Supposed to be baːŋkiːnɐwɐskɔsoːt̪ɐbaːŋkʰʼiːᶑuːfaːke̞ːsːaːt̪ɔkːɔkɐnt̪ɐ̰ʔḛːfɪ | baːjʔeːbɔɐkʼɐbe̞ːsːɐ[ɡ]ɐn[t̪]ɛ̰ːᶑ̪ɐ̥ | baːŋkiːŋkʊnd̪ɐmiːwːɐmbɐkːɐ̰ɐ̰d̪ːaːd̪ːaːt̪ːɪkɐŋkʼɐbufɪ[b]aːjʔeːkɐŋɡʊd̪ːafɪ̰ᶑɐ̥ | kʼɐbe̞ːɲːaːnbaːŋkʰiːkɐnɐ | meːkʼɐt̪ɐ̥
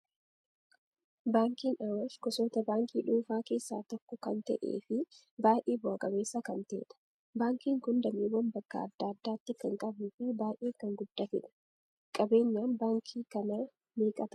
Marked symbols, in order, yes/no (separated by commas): no, yes, yes